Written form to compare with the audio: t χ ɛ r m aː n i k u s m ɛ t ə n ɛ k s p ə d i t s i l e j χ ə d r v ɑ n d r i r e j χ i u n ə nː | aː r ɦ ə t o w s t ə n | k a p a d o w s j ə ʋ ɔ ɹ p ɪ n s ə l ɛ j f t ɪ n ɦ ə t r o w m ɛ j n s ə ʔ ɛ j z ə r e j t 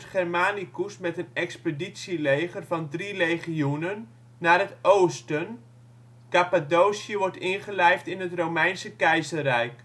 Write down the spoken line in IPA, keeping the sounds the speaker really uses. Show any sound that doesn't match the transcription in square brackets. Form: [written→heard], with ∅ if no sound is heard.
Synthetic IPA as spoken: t χ ɛ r m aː n i k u s m ɛ t ə n ɛ k s p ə d i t s i l e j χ ə [d→∅] r v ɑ n d r i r e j χ i u n ə nː | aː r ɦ ə t o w s t ə n | k a p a d o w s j ə ʋ ɔ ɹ [p→t] ɪ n [s→χ] ə l ɛ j f t ɪ n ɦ ə t r o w m ɛ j n s ə [ʔ→k] ɛ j z ə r [e→ɛ] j [t→k]